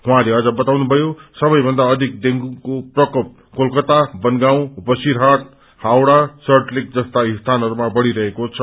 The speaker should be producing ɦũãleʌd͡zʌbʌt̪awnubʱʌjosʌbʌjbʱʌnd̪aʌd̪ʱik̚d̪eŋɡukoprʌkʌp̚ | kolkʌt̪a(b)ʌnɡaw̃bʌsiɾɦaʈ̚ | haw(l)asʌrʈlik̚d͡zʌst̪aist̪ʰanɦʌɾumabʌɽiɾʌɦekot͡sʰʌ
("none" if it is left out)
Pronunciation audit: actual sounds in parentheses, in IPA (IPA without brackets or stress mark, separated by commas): b, ɽ